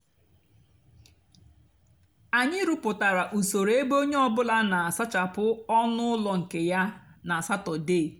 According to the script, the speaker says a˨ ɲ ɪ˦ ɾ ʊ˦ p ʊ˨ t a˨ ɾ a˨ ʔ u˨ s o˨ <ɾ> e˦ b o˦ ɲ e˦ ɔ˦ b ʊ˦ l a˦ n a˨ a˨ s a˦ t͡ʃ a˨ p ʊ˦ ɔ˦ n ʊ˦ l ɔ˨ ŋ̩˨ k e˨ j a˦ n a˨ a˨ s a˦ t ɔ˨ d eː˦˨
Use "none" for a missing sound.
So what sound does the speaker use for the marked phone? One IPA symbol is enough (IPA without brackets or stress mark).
ɾ